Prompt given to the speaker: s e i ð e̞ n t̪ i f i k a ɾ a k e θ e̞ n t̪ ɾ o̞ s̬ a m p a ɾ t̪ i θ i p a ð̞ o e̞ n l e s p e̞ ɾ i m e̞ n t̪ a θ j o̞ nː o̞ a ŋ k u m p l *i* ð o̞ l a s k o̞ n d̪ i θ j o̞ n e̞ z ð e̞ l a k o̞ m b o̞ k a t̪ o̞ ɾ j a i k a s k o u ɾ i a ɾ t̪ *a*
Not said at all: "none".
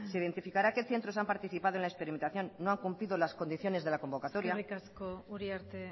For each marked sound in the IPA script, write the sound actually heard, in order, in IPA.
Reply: i, e

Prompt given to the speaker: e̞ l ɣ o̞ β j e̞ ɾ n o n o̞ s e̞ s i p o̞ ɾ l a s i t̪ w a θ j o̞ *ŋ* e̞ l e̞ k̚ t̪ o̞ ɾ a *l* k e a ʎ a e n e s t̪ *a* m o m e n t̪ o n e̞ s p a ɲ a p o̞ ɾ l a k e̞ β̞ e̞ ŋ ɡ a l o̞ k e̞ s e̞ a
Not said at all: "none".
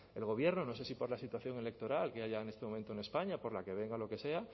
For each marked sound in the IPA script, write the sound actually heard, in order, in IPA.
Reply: ŋ, l, e

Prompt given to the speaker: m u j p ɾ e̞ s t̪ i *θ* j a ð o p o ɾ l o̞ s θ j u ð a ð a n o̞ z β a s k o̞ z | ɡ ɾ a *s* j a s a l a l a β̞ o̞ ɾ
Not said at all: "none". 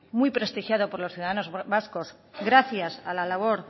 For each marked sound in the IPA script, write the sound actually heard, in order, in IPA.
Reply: x, θ

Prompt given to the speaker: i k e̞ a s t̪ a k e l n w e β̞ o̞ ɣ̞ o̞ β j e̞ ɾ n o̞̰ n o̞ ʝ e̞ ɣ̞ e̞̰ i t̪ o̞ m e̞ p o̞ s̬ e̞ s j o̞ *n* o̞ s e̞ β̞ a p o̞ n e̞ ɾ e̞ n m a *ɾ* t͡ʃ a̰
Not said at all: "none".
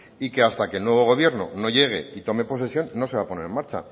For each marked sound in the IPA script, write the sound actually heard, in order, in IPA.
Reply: nː, ɾ

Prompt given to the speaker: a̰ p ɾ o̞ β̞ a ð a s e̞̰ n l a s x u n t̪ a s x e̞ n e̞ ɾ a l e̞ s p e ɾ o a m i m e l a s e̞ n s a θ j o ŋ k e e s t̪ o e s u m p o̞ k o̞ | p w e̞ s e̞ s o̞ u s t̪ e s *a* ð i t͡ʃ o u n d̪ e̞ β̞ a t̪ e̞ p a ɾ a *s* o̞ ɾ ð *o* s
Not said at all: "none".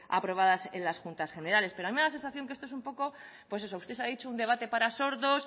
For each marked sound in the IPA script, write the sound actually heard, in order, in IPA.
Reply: a, s, o

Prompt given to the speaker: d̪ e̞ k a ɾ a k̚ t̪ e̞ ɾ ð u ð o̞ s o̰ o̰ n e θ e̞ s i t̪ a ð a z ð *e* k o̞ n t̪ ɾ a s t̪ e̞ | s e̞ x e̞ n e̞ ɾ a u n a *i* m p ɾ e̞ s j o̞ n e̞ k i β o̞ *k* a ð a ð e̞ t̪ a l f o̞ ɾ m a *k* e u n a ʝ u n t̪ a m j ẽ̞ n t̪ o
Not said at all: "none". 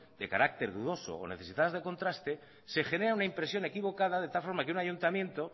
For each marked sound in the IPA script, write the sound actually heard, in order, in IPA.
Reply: e, i, k, k

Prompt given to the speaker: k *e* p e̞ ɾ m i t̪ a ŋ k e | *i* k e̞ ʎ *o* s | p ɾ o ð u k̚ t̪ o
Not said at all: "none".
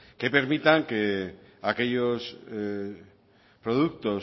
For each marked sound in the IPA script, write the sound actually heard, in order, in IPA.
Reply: e, a, o

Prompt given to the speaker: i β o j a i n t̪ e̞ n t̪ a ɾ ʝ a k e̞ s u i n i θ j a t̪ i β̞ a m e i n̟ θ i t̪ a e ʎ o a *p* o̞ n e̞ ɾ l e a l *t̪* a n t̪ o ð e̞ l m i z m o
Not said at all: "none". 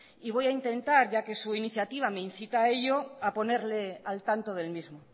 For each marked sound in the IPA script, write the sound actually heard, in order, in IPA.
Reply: p, t̪

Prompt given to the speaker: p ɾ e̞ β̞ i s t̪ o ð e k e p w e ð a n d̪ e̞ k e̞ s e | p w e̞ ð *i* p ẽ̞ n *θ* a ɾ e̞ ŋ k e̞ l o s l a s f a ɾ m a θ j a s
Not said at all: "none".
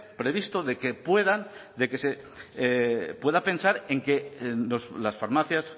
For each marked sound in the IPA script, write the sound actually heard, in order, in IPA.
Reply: a, s

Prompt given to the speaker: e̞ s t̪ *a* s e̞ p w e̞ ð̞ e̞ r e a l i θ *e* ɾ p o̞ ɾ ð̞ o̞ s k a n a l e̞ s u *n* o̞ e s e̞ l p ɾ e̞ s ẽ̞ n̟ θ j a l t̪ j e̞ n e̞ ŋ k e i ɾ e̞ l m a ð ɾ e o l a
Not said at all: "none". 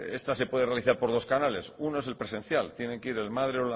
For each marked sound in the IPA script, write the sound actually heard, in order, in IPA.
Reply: a, a, n

